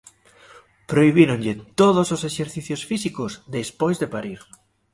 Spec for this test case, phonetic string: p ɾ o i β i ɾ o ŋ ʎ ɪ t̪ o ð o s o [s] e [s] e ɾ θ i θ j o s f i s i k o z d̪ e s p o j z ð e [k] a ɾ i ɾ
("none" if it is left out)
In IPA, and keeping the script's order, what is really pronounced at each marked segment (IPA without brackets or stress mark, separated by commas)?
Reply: s, ʃ, p